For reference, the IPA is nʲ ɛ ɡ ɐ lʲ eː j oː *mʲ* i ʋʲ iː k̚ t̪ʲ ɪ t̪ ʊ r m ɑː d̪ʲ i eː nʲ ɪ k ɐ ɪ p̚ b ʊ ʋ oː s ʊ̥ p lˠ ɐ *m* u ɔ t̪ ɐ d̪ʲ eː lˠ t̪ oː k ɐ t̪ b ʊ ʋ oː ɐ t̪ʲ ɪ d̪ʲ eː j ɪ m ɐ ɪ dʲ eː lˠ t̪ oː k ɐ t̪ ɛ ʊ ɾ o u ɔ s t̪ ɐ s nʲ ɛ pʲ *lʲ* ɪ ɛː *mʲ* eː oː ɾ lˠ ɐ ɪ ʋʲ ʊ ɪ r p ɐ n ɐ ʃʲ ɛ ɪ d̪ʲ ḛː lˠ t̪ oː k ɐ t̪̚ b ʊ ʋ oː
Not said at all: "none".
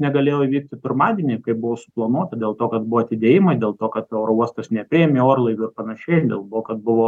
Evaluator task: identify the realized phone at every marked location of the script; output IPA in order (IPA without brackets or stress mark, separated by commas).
none, n, ɾʲ, mʲ